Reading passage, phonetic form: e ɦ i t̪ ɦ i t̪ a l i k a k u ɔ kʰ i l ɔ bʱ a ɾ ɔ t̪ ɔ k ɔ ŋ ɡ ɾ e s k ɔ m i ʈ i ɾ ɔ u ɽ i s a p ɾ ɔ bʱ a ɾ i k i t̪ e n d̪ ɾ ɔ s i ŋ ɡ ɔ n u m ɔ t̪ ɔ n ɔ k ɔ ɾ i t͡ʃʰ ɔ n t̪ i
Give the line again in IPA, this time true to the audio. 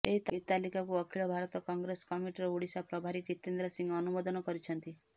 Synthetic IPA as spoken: e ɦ i t̪ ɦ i t̪ a l i k a k u ɔ kʰ i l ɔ bʱ a ɾ ɔ t̪ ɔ k ɔ ŋ ɡ ɾ e s k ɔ m i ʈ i ɾ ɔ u ɽ i s a p ɾ ɔ bʱ a ɾ i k i t̪ e n d̪ ɾ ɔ s i ŋ ɡ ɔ n u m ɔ d̪ ɔ n ɔ k ɔ ɾ i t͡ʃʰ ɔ n t̪ i